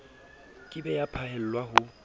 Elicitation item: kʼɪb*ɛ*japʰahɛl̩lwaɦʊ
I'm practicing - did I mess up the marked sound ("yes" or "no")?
no